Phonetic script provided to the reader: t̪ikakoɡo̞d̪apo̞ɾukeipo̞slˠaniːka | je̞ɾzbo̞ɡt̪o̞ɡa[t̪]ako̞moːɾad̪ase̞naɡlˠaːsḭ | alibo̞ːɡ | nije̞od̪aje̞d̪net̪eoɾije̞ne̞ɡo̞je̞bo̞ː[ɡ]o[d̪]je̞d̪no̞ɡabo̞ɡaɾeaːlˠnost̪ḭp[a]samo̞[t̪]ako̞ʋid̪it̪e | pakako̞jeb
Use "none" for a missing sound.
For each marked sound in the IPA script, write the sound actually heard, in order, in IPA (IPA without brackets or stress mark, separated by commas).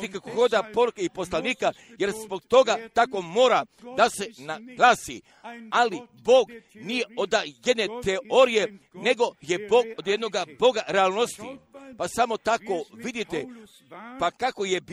t̪, ɡ, d̪, a, t̪